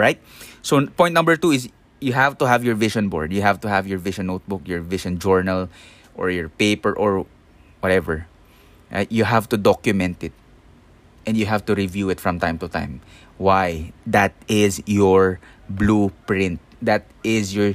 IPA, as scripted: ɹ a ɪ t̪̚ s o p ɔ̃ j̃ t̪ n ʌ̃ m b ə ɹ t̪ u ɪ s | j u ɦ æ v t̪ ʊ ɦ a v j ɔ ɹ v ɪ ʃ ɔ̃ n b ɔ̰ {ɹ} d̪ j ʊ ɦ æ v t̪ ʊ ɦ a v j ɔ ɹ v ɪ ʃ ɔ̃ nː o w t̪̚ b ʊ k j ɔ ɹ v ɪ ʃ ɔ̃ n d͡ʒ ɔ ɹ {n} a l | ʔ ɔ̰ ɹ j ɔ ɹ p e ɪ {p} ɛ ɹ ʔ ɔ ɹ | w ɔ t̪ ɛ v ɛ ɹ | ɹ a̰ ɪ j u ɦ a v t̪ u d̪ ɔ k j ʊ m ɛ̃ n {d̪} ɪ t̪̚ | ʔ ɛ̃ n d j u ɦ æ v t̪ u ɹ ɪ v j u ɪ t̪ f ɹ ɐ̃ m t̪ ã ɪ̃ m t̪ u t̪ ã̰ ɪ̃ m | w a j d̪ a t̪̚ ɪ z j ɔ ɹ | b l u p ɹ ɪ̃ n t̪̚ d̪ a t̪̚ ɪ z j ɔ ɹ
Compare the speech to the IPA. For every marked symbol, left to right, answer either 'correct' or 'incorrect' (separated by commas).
correct, correct, correct, incorrect